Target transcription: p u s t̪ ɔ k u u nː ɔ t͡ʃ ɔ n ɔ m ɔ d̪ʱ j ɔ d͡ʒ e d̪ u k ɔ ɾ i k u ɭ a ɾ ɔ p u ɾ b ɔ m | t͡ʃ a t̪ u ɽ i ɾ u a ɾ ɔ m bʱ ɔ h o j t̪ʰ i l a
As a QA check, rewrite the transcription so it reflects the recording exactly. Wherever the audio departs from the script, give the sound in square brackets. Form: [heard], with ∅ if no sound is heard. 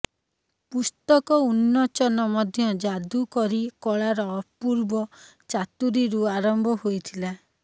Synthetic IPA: p u s t̪ ɔ k [ɔ] u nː ɔ t͡ʃ ɔ n ɔ m ɔ d̪ʱ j ɔ d͡ʒ [a] d̪ u k ɔ ɾ i k [ɔ] ɭ a ɾ ɔ p u ɾ b ɔ [∅] | t͡ʃ a t̪ u [ɾ] i ɾ u a ɾ ɔ m bʱ ɔ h o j t̪ʰ i l a